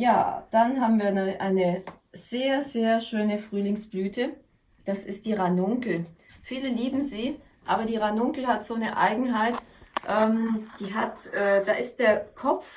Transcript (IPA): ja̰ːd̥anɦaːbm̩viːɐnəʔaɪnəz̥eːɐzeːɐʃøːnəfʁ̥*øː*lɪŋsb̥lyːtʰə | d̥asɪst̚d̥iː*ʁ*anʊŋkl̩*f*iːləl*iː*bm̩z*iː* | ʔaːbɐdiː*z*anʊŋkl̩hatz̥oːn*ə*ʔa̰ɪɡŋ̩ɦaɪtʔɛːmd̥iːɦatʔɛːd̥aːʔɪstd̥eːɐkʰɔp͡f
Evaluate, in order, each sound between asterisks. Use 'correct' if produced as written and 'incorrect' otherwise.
incorrect: yː, correct, correct, correct, correct, incorrect: ʁ, correct

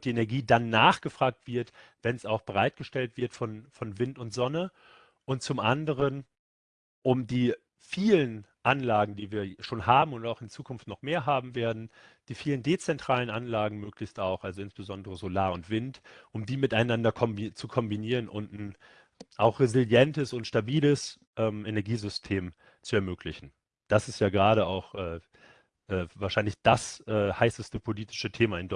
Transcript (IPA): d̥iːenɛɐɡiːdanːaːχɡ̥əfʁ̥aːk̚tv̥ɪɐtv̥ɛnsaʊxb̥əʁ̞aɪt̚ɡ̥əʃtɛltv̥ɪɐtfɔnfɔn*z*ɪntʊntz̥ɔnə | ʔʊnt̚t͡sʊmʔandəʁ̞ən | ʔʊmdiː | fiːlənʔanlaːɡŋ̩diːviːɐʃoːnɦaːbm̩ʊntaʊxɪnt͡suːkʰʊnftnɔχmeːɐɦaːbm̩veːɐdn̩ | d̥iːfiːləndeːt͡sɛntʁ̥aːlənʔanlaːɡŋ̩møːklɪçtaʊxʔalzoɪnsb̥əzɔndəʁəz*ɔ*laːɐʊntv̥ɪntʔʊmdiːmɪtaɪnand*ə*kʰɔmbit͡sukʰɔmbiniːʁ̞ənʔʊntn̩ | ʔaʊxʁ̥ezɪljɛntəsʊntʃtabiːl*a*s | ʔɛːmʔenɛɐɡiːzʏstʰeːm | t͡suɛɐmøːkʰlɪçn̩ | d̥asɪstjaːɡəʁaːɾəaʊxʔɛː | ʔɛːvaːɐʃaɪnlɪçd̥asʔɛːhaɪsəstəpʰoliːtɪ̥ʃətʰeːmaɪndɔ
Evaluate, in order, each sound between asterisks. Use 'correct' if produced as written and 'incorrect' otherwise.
incorrect: v, incorrect: o, incorrect: ɐ, incorrect: ə

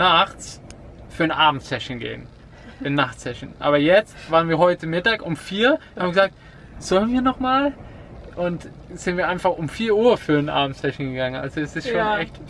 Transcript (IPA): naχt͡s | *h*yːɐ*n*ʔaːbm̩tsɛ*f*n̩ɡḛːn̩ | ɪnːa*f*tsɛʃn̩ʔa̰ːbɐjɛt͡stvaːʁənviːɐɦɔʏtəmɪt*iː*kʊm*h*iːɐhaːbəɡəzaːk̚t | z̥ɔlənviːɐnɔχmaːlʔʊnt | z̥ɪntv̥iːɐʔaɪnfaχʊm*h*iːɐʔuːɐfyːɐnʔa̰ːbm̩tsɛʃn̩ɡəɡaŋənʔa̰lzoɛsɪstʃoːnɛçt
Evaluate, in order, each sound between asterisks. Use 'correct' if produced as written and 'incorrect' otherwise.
incorrect: f, correct, incorrect: ʃ, incorrect: χ, incorrect: aː, incorrect: f, incorrect: f

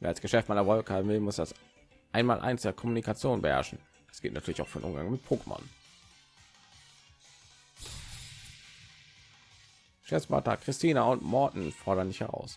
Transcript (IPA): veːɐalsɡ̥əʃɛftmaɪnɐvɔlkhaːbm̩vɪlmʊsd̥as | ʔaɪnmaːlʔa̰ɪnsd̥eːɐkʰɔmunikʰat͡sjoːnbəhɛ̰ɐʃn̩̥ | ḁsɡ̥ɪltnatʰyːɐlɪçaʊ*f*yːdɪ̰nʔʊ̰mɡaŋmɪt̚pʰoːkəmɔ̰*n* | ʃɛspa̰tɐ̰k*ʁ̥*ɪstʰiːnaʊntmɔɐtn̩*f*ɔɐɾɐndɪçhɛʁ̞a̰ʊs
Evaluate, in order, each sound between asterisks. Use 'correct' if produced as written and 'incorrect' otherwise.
correct, correct, correct, correct

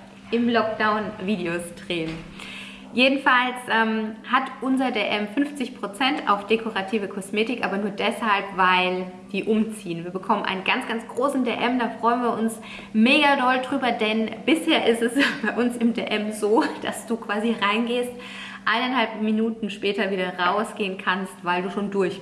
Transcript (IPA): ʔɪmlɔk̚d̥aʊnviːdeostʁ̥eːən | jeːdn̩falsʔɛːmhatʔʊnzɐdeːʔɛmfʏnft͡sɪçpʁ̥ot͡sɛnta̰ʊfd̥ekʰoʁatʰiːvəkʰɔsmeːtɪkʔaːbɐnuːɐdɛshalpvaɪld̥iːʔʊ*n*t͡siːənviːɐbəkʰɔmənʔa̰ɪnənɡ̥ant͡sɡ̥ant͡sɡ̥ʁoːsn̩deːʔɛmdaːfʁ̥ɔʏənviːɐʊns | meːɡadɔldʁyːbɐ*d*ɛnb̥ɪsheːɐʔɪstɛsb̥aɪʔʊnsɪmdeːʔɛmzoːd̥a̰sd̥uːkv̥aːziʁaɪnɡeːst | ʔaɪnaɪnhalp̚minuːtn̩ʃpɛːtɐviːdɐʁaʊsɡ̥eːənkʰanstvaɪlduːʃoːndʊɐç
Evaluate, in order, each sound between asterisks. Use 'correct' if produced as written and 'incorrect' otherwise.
incorrect: m, correct

